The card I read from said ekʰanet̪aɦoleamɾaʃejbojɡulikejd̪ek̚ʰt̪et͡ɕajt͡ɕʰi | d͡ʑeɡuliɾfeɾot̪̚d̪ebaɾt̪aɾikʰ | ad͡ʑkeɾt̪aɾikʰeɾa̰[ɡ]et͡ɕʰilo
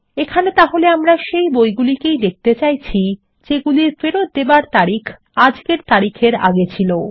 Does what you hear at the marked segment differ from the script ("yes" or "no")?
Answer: no